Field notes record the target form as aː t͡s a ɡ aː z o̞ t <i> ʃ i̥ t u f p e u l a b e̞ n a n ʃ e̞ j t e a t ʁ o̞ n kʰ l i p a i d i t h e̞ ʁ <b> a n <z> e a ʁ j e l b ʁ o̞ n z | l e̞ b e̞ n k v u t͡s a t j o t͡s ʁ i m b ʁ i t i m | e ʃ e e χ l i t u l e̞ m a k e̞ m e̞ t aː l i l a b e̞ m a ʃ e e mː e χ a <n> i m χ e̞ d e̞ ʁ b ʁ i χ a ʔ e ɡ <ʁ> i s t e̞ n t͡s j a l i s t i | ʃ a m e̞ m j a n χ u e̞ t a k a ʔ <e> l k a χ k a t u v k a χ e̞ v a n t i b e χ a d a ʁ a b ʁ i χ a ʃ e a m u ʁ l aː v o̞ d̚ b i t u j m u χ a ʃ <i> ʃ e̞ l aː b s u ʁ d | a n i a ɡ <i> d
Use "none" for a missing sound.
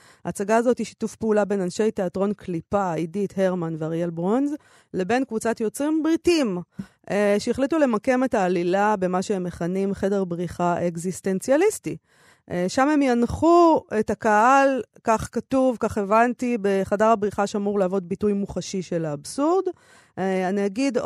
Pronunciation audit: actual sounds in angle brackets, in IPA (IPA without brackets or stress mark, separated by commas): i, m, v, n, z, a, i, i